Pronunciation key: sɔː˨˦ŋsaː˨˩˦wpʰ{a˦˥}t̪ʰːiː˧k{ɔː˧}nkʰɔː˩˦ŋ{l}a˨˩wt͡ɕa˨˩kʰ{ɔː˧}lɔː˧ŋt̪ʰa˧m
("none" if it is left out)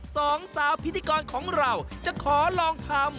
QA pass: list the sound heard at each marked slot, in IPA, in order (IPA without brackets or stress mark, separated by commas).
i˦˥, ɔː˧, ɾ, ɔː˩˦